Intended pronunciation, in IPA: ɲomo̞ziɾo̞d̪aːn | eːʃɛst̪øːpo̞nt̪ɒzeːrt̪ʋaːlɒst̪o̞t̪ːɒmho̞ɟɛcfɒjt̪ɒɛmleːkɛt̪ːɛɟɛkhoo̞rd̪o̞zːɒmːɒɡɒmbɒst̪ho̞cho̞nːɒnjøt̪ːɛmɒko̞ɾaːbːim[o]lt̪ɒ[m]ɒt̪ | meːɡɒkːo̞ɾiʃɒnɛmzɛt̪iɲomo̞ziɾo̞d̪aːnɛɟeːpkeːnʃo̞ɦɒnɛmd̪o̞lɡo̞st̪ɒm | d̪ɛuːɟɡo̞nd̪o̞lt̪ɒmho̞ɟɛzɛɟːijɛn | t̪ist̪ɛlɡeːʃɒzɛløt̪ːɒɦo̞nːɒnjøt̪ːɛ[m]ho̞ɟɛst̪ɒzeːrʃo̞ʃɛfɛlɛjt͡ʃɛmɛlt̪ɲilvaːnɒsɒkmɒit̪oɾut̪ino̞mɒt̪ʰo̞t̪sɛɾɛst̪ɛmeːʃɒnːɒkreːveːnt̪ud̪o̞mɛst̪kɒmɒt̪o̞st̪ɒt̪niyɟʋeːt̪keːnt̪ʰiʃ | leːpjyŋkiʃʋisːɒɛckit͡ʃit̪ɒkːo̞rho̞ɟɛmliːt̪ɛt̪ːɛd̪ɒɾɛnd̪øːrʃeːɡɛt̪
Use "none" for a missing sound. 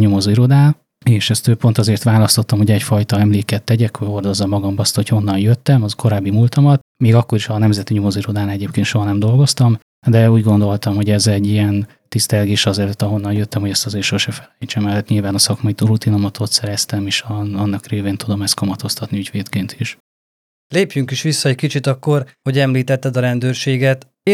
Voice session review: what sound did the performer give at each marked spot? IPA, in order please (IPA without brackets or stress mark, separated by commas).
u, m, m